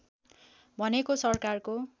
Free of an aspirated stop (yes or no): yes